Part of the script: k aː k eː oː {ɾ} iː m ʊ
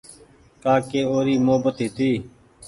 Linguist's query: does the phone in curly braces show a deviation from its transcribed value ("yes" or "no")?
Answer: no